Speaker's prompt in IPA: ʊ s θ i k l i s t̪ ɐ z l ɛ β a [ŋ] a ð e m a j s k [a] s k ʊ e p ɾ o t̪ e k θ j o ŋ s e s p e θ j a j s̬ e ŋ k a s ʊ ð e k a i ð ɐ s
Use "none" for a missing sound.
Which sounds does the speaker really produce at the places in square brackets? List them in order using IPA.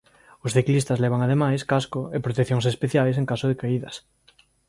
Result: ŋ, a

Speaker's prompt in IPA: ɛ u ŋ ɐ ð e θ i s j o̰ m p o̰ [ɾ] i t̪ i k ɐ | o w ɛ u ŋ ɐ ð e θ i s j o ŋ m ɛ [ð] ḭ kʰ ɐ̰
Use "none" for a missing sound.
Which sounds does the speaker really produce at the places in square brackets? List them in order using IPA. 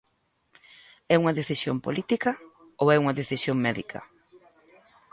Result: l, ð

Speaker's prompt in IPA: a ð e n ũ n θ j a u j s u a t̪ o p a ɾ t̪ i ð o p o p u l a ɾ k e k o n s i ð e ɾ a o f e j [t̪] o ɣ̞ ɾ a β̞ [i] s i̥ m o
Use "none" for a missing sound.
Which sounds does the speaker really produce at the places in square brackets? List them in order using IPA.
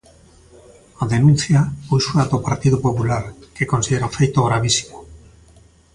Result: t̪, i

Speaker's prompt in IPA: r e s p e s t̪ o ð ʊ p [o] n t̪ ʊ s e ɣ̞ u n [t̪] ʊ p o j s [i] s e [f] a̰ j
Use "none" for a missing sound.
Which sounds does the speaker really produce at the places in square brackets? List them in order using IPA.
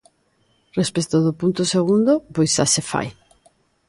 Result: u, d̪, a, f

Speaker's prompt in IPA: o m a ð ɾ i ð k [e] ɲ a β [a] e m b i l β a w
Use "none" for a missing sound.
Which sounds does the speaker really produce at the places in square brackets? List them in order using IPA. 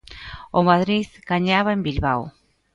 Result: a, a

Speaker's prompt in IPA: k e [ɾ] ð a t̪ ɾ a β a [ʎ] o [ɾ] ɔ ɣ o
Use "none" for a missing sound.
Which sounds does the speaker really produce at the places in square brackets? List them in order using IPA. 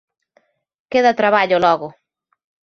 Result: none, ʎ, l

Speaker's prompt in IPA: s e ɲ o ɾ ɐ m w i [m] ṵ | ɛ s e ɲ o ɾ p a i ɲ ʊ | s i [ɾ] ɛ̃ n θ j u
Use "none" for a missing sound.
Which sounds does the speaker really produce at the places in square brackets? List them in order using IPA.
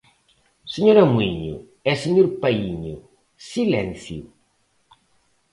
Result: ɲ, l

